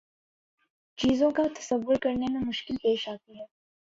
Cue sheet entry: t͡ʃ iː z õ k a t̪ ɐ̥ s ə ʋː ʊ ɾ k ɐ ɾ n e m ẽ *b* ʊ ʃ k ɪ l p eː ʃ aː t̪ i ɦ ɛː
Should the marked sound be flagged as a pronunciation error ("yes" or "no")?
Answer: yes